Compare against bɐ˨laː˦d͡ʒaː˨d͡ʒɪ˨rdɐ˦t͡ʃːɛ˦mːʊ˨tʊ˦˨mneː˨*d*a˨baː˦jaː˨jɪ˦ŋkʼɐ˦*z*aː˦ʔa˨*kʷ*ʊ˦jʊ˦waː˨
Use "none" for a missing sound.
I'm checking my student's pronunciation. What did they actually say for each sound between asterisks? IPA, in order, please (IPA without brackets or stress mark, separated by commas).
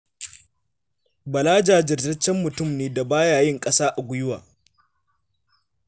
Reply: d, s, ɡʷ